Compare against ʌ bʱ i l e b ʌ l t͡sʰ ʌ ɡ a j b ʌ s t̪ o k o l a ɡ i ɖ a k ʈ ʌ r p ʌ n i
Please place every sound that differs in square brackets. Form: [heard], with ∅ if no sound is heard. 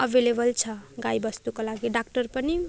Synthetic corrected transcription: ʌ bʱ [e] l e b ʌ l t͡sʰ ʌ ɡ a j b ʌ s t̪ [u] k o l a ɡ i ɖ a k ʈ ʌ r p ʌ n i